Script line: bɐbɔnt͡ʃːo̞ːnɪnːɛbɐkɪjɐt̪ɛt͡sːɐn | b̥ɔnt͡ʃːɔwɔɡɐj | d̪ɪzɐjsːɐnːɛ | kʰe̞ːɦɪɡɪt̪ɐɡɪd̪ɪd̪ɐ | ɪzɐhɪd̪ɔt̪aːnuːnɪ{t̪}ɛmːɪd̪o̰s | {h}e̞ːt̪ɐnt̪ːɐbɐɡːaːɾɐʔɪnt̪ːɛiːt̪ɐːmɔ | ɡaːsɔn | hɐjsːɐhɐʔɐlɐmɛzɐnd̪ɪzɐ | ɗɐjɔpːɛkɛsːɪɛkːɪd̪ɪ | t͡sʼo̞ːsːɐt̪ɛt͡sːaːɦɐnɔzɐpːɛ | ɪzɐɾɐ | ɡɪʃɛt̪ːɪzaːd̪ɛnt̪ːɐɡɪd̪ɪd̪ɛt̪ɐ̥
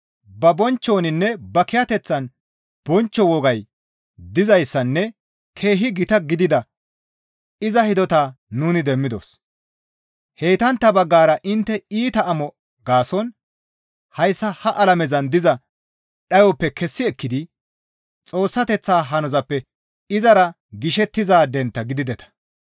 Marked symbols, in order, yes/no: no, yes

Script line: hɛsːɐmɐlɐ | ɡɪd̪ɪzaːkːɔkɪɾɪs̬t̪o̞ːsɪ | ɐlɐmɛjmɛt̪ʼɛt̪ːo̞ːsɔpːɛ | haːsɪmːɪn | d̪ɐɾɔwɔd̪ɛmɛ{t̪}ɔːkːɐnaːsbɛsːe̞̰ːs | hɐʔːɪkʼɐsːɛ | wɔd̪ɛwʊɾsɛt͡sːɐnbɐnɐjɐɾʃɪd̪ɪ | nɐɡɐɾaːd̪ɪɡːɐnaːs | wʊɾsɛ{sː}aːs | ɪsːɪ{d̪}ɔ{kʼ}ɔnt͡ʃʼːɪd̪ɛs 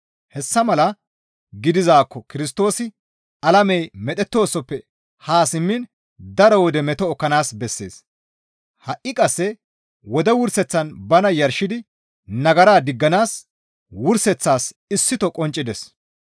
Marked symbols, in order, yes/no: yes, no, no, yes

